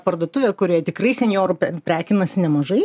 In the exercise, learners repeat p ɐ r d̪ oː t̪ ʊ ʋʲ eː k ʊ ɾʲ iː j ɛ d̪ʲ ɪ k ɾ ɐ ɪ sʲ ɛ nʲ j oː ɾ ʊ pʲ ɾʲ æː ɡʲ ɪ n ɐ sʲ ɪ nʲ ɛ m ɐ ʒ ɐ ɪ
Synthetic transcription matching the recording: p ɐ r d̪ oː t̪ ʊ ʋʲ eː k ʊ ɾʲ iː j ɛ t̪ʲ ɪ k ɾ ɐ ɪ sʲ ɛ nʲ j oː ɾ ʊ pʲ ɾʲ æː kʲ ɪ n ɐ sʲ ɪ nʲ ɛ m ɐ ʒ ɐ ɪ

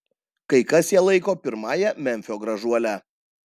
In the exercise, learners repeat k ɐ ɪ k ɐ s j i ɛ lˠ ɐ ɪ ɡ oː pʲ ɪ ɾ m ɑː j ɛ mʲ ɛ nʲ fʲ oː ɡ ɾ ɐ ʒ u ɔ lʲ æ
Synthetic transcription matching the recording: k ɐ ɪ k ɐ s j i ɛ lˠ ɐ ɪ k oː pʲ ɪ ɾ m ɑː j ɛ mʲ ɛ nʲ fʲ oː ɡ ɾ ɐ ʒ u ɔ lʲ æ

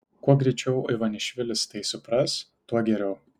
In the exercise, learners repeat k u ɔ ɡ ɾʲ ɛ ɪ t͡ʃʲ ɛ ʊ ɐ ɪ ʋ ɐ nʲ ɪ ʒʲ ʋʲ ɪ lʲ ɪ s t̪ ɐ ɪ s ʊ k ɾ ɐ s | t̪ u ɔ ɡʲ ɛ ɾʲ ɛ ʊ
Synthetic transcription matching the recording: k u ɔ ɡ ɾʲ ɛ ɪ t͡ʃʲ ɛ ʊ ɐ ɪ ʋ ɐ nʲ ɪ ʃʲ ʋʲ ɪ lʲ ɪ s t̪ ɐ ɪ s ʊ p ɾ ɐ s | t̪ u ɔ ɡʲ ɛ ɾʲ ɛ ʊ

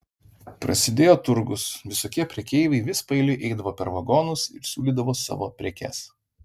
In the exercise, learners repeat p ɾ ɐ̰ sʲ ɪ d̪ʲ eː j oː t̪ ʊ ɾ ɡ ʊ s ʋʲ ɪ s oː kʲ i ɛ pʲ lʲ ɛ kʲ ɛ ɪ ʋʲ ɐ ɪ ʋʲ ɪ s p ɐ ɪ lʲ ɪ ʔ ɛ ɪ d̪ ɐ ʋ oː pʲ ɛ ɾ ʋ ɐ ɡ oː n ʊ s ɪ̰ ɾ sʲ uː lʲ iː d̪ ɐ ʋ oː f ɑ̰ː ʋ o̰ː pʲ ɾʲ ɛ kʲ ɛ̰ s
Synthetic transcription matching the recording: p ɾ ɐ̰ sʲ ɪ d̪ʲ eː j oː t̪ ʊ ɾ ɡ ʊ s ʋʲ ɪ s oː kʲ i ɛ pʲ ɾʲ ɛ kʲ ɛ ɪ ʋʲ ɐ ɪ ʋʲ ɪ s p ɐ ɪ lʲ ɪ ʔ ɛ ɪ d̪ ɐ ʋ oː pʲ ɛ ɾ ʋ ɐ ɡ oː n ʊ s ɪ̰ ɾ sʲ uː lʲ iː d̪ ɐ ʋ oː s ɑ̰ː ʋ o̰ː pʲ ɾʲ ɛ kʲ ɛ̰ s

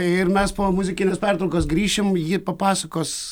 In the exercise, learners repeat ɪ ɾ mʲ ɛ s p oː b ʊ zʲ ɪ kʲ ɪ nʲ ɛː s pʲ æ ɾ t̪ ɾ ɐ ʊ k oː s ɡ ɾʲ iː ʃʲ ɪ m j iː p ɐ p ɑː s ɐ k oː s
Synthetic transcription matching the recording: ɪ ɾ mʲ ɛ s p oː m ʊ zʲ ɪ kʲ ɪ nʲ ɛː s pʲ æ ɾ t̪ ɾ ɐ ʊ k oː s ɡ ɾʲ iː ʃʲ ɪ m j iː p ɐ p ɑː s ɐ k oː s

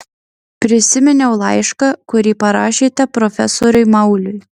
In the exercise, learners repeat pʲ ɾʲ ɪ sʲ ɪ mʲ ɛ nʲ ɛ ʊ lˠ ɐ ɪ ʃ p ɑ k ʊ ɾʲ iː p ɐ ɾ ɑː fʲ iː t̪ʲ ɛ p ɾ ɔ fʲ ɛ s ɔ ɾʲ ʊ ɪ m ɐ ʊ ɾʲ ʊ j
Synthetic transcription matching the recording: pʲ ɾʲ ɪ sʲ ɪ mʲ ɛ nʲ ɛ ʊ lˠ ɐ ɪ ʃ k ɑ k ʊ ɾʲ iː p ɐ ɾ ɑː ʃʲ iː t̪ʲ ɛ p ɾ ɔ fʲ ɛ s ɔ ɾʲ ʊ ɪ m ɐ ʊ lʲ ʊ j

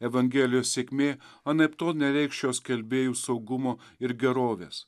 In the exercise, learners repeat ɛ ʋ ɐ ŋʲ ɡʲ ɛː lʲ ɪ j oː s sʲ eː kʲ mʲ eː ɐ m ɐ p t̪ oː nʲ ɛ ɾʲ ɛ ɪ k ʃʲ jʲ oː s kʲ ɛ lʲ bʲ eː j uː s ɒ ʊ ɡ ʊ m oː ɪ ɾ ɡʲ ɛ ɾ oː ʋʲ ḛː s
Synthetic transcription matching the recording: ɛ ʋ ɐ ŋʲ ɡʲ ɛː lʲ ɪ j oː s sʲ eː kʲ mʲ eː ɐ n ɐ p t̪ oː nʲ ɛ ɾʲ ɛ ɪ k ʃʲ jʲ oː s kʲ ɛ lʲ bʲ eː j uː s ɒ ʊ ɡ ʊ m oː ɪ ɾ ɡʲ ɛ ɾ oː ʋʲ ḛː s

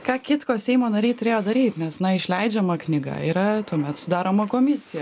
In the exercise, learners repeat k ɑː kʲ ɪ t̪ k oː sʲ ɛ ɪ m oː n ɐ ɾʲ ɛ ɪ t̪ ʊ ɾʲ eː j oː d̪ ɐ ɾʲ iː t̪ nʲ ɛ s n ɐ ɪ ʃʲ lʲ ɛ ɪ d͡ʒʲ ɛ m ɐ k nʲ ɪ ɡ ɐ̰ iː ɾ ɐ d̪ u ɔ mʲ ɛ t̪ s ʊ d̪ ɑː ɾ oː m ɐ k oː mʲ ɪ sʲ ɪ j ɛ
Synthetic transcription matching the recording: k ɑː kʲ ɪ t̪ k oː sʲ ɛ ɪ m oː n ɐ ɾʲ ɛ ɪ t̪ ʊ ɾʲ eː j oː d̪ ɐ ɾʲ iː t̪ nʲ ɛ s n ɐ ɪ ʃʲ lʲ ɛ ɪ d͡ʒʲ ɛ m ɐ k nʲ ɪ ɡ ɐ̰ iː ɾ ɐ t̪ u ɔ mʲ ɛ t̪ s ʊ d̪ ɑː ɾ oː m ɐ k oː mʲ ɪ sʲ ɪ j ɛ

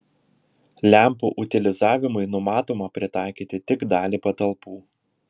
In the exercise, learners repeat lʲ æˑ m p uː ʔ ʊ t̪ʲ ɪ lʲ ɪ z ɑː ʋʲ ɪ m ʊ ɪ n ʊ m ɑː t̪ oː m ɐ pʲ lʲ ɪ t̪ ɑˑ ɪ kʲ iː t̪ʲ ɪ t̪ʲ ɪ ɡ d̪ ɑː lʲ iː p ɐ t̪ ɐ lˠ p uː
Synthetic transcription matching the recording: lʲ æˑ m p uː ʔ ʊ t̪ʲ ɪ lʲ ɪ z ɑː ʋʲ ɪ m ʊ ɪ n ʊ m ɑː t̪ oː m ɐ pʲ ɾʲ ɪ t̪ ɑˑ ɪ kʲ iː t̪ʲ ɪ t̪ʲ ɪ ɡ d̪ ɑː lʲ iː p ɐ t̪ ɐ lˠ p uː

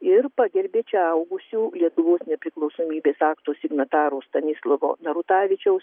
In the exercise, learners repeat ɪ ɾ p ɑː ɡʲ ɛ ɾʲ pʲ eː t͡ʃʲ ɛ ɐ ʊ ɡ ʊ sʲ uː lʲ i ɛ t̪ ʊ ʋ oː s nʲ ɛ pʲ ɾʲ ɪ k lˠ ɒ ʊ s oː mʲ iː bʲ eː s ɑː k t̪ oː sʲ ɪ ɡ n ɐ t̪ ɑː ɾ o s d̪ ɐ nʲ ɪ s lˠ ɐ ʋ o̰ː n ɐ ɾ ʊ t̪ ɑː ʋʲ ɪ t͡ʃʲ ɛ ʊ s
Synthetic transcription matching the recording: ɪ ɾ p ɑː ɡʲ ɛ ɾʲ bʲ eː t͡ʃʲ ɛ ɐ ʊ ɡ ʊ sʲ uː lʲ i ɛ t̪ ʊ ʋ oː s nʲ ɛ pʲ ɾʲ ɪ k lˠ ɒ ʊ s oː mʲ iː bʲ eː s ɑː k t̪ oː sʲ ɪ ɡ n ɐ t̪ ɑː ɾ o s t̪ ɐ nʲ ɪ s lˠ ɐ ʋ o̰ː n ɐ ɾ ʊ t̪ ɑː ʋʲ ɪ t͡ʃʲ ɛ ʊ s

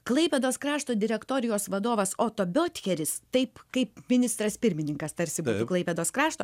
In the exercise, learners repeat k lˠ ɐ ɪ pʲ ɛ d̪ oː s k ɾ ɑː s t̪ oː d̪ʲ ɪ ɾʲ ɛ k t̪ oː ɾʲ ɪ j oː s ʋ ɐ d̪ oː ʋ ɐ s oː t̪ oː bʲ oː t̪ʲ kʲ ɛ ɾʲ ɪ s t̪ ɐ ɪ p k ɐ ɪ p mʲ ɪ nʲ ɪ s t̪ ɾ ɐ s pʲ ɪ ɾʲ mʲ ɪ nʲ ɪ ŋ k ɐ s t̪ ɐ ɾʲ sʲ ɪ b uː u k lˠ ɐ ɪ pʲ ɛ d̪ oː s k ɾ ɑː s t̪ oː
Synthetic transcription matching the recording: k lˠ ɐ ɪ pʲ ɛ d̪ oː s k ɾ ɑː ʃ t̪ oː d̪ʲ ɪ ɾʲ ɛ k t̪ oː ɾʲ ɪ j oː s ʋ ɐ d̪ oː ʋ ɐ s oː t̪ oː bʲ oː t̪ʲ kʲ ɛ ɾʲ ɪ s t̪ ɐ ɪ p k ɐ ɪ p mʲ ɪ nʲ ɪ s t̪ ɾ ɐ s pʲ ɪ ɾʲ mʲ ɪ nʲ ɪ ŋ k ɐ s t̪ ɐ ɾʲ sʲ ɪ b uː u k lˠ ɐ ɪ pʲ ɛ d̪ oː s k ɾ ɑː ʃ t̪ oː

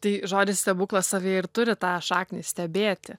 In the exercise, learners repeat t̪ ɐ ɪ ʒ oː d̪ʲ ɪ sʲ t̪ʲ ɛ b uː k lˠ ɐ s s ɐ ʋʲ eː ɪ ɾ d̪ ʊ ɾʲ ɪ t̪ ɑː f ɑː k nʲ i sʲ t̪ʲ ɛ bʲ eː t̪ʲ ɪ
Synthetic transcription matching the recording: t̪ ɐ ɪ ʒ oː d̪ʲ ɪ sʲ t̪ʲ ɛ b uː k lˠ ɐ s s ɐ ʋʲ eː ɪ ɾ t̪ ʊ ɾʲ ɪ t̪ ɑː ʃ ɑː k nʲ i sʲ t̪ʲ ɛ bʲ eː t̪ʲ ɪ

